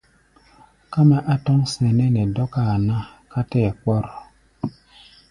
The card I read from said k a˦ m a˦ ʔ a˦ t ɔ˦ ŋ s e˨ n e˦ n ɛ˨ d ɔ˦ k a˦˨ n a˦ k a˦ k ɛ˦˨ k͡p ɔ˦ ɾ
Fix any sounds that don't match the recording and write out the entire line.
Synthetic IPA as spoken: k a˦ m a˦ ʔ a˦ t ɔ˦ ŋ s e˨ n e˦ n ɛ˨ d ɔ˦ k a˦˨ n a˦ k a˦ t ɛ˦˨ k͡p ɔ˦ ɾ